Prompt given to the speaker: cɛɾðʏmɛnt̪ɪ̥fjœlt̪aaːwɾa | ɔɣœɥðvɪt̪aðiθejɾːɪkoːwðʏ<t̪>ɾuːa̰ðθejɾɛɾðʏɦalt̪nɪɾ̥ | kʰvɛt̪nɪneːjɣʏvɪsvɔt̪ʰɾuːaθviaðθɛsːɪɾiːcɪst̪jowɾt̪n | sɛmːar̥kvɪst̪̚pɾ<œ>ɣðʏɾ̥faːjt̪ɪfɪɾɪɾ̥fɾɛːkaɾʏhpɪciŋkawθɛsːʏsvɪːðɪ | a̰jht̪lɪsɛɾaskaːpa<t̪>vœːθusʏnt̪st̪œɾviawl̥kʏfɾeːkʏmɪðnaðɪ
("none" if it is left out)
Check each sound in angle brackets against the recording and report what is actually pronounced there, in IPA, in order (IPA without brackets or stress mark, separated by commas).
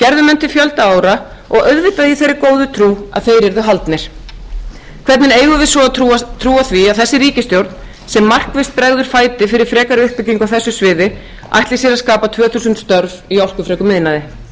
t̪ʰ, ɛ, t̪ʰ